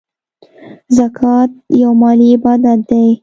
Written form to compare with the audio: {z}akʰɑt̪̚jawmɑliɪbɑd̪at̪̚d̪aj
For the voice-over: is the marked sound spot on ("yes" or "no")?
yes